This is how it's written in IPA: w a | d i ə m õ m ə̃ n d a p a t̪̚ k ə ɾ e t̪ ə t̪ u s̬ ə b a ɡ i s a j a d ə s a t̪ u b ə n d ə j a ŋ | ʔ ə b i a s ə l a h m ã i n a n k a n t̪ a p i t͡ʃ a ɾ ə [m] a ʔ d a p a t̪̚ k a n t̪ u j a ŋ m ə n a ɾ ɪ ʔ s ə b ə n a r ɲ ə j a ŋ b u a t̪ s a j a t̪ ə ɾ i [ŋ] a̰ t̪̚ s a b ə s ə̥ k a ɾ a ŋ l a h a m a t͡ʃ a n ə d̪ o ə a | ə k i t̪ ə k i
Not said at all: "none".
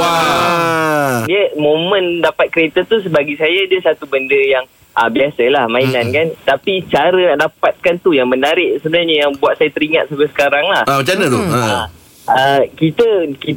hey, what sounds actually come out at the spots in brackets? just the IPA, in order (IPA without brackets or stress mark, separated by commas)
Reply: n, ŋ